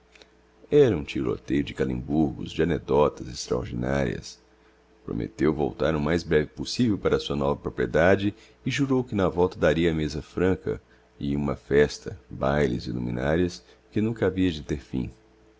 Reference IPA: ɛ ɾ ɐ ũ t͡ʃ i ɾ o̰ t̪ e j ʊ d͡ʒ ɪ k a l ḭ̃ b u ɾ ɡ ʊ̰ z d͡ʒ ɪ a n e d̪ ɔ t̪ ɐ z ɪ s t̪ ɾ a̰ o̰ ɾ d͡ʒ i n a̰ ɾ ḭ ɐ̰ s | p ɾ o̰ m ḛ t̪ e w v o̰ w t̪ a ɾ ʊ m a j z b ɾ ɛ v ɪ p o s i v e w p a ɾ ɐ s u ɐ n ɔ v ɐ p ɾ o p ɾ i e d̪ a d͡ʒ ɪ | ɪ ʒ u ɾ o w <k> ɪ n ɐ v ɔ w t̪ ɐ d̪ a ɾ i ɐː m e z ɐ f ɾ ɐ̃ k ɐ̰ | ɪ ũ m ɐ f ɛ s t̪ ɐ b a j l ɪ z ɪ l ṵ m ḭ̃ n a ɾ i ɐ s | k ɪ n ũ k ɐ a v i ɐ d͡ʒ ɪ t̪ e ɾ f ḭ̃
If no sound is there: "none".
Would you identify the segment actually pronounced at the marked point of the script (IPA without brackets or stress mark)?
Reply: k